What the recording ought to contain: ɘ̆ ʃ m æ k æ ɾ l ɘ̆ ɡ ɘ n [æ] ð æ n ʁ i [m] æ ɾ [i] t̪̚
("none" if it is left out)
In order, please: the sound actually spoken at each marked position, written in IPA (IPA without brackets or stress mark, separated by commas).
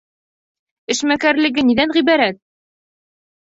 i, b, æ